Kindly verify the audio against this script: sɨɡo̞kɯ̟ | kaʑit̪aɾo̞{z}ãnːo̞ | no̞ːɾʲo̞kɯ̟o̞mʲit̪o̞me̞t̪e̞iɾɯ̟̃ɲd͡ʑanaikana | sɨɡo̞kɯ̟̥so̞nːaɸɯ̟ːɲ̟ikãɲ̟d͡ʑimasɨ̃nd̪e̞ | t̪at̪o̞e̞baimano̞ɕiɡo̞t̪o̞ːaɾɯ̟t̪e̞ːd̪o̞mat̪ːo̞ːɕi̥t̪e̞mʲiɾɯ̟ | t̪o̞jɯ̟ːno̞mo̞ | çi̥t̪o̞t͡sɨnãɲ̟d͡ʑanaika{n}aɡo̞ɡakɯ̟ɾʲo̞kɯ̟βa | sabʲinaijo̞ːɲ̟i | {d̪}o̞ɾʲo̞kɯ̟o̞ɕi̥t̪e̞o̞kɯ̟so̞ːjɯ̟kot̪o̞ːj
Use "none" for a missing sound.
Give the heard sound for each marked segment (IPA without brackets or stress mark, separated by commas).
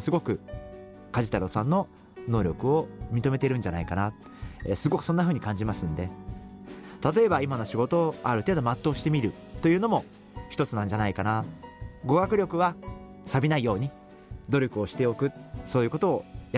s, n, d̪